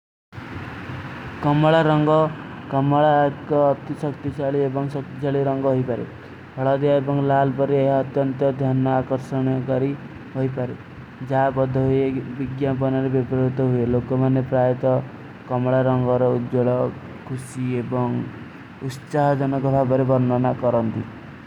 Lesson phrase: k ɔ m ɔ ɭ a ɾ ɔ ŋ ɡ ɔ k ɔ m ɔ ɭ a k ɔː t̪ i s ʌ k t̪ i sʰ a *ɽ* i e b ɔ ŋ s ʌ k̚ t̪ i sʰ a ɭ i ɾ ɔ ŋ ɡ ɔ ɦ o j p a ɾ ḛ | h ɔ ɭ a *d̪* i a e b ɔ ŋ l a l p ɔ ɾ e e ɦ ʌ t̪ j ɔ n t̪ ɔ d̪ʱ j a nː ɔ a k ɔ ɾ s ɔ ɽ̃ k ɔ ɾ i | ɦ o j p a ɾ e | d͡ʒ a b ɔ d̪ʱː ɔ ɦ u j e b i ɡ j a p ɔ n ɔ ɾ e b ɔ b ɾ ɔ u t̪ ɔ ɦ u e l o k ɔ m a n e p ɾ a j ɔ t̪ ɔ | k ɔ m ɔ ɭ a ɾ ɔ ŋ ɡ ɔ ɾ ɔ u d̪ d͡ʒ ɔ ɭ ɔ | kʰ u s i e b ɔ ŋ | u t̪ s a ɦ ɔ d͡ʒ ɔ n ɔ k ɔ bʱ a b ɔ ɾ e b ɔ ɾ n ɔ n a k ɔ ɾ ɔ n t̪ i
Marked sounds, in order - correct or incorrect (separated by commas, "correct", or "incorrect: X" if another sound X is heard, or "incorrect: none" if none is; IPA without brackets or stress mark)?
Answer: incorrect: ɭ, correct